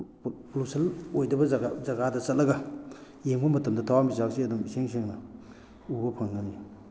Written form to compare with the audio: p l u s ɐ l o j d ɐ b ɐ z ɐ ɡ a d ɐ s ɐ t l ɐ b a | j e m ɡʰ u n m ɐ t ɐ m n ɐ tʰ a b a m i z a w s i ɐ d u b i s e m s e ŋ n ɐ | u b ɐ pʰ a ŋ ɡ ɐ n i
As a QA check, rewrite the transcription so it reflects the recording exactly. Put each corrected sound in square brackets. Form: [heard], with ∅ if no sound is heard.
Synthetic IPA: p l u s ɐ l o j d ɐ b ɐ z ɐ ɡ a d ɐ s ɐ t l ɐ [ɡ] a | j e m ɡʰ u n m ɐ t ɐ m [d] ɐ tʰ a [w] a m i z a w s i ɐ d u [m] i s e [ŋ] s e ŋ n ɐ | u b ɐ pʰ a ŋ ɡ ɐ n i